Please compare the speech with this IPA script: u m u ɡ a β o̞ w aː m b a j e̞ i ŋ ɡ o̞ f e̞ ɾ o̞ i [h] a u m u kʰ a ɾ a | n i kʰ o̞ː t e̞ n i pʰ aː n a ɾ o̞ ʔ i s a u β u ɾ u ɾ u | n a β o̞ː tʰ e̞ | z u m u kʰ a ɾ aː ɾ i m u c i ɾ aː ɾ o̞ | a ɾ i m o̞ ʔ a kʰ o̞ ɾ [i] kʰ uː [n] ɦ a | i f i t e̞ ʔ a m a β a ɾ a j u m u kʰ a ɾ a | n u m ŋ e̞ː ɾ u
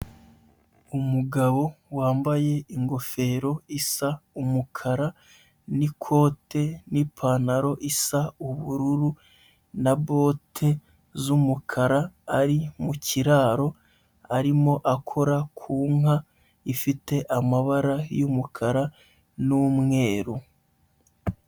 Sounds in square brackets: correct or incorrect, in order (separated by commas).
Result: incorrect, incorrect, incorrect